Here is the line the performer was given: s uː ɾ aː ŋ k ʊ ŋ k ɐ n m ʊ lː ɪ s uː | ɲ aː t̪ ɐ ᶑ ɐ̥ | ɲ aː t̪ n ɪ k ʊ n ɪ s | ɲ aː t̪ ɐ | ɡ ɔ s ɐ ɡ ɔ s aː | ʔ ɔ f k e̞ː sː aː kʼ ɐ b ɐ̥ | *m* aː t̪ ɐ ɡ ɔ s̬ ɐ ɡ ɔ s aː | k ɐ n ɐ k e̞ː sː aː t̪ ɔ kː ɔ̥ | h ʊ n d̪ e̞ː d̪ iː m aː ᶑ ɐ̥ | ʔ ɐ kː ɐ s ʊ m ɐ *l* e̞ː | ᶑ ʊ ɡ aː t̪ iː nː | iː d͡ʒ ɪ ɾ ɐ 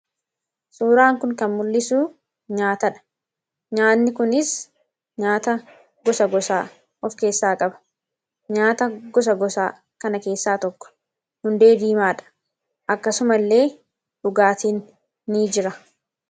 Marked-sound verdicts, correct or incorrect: incorrect: ɲ, incorrect: lː

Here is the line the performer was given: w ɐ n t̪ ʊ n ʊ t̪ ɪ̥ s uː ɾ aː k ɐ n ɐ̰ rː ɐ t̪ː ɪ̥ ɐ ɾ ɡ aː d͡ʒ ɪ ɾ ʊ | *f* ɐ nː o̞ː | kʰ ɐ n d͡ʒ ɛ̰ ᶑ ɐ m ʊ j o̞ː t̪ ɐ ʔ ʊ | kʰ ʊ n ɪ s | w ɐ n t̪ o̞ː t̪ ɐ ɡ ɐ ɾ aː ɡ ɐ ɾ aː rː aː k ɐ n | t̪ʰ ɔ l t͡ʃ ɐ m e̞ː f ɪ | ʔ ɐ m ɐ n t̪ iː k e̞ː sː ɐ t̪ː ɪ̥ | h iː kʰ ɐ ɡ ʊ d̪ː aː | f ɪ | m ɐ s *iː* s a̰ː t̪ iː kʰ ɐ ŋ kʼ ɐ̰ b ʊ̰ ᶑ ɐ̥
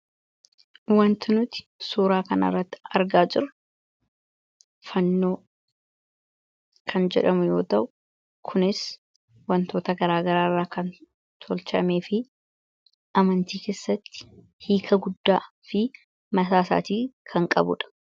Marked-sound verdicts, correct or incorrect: correct, incorrect: aː

